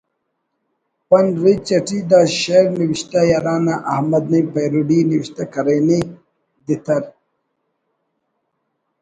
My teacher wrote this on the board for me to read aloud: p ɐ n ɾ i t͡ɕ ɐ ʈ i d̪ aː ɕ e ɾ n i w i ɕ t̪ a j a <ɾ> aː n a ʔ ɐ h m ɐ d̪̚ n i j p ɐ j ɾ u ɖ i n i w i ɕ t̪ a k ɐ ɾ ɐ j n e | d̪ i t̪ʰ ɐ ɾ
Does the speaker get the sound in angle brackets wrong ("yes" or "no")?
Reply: no